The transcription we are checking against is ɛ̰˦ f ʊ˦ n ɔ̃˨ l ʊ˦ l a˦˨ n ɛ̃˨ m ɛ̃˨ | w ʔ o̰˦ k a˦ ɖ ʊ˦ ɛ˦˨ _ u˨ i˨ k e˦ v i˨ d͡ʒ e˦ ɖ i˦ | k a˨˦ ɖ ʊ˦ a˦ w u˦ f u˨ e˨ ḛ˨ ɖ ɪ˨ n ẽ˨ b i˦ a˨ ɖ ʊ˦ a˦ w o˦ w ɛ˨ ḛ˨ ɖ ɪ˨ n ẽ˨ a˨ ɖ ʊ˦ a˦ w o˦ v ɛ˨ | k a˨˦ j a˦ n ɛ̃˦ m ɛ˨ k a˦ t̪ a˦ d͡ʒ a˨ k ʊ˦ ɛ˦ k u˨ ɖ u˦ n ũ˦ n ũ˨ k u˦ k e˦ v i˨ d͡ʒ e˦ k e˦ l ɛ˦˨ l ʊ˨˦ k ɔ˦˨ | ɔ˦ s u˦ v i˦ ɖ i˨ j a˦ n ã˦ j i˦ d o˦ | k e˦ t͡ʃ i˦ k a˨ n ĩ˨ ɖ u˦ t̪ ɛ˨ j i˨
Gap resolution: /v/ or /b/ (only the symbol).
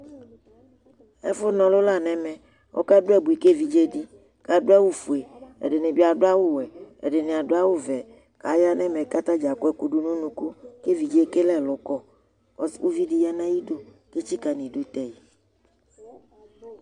b